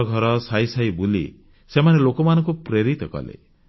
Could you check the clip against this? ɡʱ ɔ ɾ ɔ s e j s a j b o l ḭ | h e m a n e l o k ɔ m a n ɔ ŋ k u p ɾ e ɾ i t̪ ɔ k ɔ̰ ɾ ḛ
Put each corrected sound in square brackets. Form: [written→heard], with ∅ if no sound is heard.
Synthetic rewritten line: ɡʱ ɔ ɾ ɔ s [e→a] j s a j b [o→u] l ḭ | [h→s] e m a n e l o k ɔ m a n ɔ ŋ k u p ɾ e ɾ i t̪ ɔ k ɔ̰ [ɾ→l] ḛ